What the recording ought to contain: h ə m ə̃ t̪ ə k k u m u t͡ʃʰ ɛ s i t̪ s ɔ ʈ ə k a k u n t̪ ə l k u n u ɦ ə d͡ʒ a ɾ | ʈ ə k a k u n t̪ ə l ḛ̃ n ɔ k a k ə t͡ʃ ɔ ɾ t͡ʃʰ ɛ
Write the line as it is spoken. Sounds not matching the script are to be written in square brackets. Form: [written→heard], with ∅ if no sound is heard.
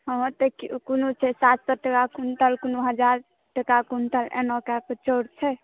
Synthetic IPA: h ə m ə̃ t̪ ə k k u [m→n] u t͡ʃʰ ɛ s [i→a] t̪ s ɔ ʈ ə k a k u n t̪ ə l k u n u ɦ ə d͡ʒ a ɾ | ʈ ə k a k u n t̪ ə l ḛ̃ n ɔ k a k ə t͡ʃ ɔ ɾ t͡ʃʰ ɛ